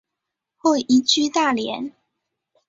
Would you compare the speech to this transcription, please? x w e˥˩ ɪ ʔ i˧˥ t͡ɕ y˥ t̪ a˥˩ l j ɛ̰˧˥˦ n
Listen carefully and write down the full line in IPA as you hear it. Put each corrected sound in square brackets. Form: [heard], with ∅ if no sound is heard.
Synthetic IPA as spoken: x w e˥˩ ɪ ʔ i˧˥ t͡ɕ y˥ t̪ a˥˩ l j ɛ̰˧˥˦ n